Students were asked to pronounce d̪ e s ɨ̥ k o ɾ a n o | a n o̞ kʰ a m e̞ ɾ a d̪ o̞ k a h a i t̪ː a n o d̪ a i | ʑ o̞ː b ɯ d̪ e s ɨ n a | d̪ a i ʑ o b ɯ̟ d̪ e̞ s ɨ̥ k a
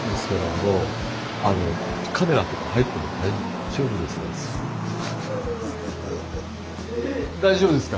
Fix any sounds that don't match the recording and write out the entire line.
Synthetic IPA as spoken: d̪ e s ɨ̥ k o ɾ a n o | a n o̞ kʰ a m e̞ ɾ a t̪ o̞ k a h a i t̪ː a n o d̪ a i | ʑ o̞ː b ɯ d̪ e s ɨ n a | d̪ a i ʑ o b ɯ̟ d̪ e̞ s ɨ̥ k a